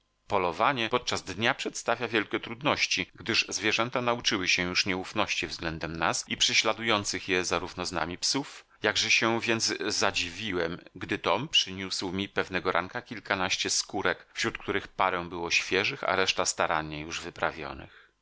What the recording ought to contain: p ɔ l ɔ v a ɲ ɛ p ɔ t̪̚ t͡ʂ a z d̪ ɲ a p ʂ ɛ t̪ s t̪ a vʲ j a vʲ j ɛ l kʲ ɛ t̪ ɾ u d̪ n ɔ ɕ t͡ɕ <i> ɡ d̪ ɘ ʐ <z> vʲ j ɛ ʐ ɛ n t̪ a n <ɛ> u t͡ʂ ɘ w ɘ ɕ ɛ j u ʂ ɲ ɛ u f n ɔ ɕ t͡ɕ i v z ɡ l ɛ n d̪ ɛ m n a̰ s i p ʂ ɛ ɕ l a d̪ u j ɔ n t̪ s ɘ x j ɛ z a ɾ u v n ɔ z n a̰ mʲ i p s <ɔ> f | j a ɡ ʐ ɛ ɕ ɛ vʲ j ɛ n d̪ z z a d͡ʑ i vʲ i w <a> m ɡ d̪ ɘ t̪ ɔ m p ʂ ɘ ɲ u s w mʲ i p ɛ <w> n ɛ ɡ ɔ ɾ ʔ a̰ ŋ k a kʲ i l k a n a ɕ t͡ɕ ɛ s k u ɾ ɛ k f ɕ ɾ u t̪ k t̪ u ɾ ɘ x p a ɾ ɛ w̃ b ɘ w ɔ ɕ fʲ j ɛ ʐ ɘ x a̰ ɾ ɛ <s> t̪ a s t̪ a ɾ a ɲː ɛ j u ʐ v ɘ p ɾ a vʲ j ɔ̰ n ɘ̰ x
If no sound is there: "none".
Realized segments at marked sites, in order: i, z, a, u, ɛ, v, ʂ

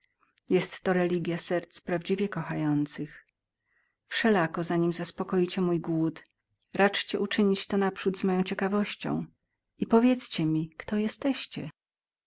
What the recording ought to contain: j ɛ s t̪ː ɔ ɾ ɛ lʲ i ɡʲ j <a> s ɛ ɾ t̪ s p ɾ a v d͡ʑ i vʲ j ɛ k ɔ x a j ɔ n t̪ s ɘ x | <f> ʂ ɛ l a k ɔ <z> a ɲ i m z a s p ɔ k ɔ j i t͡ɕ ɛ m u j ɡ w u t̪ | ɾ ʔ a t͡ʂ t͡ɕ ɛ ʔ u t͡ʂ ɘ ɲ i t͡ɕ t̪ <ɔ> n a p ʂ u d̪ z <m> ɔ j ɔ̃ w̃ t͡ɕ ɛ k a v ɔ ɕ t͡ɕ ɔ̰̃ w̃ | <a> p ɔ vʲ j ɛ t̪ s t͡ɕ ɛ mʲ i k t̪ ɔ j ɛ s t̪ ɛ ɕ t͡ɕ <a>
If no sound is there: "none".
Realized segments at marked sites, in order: a, f, z, ɔ, m, i, ɛ

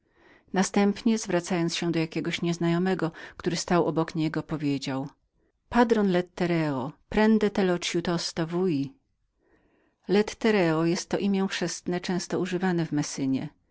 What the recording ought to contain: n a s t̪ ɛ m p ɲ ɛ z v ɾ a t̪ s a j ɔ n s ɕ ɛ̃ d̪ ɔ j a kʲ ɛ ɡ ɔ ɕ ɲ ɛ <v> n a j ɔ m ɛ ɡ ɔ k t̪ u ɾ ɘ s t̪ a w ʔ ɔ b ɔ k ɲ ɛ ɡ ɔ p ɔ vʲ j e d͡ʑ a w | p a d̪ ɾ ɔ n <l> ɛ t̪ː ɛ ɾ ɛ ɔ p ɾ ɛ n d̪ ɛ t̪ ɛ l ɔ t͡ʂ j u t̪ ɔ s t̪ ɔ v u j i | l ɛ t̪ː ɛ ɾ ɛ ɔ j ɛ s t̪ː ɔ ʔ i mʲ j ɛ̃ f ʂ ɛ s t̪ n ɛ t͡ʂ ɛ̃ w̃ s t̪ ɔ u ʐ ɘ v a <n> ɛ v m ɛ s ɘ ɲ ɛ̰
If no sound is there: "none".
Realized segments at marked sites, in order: z, l, n

